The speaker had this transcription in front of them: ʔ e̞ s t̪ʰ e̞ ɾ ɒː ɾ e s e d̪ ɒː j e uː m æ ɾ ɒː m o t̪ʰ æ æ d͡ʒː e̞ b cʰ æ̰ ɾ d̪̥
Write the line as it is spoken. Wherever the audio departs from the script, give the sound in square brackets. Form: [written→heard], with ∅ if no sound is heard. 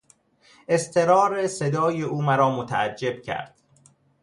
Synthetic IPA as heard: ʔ e̞ s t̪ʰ e̞ ɾ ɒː ɾ e s e d̪ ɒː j e uː m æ ɾ ɒː m o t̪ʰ æ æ d͡ʒː e̞ b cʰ æ̰ ɾ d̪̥